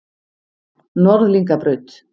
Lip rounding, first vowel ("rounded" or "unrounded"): rounded